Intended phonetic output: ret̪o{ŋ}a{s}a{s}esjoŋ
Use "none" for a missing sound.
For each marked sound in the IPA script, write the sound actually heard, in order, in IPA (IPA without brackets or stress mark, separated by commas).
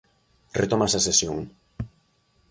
m, s, s